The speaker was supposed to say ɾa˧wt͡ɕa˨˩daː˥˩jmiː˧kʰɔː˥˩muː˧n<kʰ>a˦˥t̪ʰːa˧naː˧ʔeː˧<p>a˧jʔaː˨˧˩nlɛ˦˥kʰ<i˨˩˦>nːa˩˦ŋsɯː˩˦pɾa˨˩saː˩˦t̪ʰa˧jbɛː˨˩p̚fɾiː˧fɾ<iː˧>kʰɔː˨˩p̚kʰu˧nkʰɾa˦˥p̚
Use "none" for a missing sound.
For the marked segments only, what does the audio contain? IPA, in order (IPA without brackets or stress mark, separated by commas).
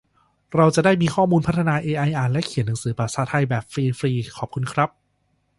pʰ, ʔ, i˨˩˦, iː˧